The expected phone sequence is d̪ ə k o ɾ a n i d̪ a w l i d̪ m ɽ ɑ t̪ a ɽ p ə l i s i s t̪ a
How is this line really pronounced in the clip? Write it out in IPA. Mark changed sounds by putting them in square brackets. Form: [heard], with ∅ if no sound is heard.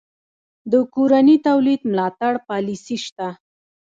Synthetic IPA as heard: d̪ ə k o ɾ a n i [t̪] a w l i d̪ m [l] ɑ t̪ a ɽ p [ɑ] l i s i [ʃ] t̪ a